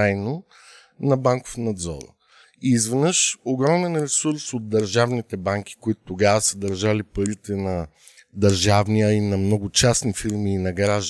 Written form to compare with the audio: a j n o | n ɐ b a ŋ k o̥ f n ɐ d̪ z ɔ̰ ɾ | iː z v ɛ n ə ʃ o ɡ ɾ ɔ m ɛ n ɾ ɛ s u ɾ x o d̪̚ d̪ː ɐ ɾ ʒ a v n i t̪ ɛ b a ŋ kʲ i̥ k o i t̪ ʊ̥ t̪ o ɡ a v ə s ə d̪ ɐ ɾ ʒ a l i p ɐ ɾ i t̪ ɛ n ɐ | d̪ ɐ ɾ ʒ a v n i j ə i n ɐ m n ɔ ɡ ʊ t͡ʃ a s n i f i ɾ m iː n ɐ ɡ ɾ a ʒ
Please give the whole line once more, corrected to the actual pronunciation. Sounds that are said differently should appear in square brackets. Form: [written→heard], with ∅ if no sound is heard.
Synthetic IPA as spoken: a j n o | n ɐ b a ŋ k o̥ f n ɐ d̪ z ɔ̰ ɾ | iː z v ɛ n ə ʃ o ɡ ɾ ɔ m ɛ n ɾ ɛ s u ɾ [x→s] o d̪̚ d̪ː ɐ ɾ ʒ a v n i t̪ ɛ b a ŋ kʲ i̥ k o i t̪ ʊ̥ t̪ o ɡ a v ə s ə d̪ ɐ ɾ ʒ a l i p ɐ ɾ i t̪ ɛ n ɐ | d̪ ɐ ɾ ʒ a v n i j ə i n ɐ m n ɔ ɡ ʊ t͡ʃ a s n i f i ɾ m iː n ɐ ɡ ɾ a ʒ